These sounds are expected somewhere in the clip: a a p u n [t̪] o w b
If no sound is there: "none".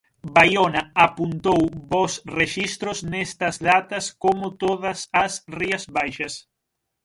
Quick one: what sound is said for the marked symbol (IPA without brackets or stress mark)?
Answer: t̪